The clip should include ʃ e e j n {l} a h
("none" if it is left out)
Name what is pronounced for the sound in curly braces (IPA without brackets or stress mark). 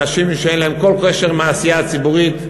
l